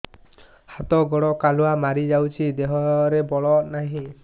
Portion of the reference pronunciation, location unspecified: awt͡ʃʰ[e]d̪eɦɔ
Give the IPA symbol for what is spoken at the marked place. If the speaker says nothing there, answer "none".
i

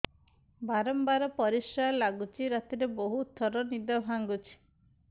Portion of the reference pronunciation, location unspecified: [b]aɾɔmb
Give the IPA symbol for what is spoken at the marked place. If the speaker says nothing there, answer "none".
b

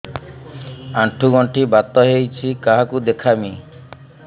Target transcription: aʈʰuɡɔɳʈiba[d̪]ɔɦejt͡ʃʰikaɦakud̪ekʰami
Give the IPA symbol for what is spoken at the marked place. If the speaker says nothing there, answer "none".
t̪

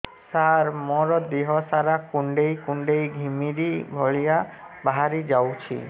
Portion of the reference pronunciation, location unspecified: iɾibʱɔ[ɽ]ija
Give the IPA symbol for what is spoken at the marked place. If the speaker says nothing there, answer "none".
ɭ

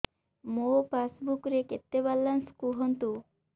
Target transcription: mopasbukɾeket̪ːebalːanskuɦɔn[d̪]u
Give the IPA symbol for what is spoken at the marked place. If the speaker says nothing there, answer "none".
t̪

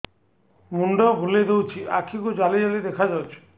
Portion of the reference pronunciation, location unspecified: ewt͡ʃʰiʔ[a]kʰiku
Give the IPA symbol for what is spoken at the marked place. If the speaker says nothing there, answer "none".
a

